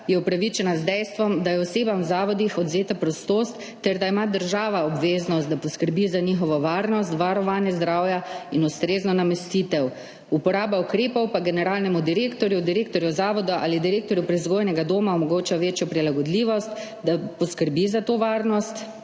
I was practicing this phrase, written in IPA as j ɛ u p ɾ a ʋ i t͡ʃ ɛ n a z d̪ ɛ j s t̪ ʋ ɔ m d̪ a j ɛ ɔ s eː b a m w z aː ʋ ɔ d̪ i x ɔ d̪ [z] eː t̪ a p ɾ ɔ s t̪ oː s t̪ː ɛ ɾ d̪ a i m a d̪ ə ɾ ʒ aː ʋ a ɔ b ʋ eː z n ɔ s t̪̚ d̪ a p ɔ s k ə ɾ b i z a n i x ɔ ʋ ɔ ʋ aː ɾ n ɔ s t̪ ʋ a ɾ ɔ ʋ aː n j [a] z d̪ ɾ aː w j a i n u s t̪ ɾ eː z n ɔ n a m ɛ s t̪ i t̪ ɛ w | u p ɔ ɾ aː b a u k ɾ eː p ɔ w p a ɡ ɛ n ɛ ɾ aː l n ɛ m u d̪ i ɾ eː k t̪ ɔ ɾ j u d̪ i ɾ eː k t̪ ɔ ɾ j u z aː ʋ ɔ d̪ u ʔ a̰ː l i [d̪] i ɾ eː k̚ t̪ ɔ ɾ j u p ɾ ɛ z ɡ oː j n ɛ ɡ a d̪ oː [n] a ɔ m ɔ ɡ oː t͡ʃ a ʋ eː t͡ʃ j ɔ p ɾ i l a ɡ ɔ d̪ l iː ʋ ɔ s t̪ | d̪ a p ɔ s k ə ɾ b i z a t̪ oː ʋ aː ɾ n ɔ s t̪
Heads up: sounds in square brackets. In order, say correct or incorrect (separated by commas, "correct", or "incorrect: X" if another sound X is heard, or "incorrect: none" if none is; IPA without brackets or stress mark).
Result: correct, incorrect: ɛ, correct, incorrect: m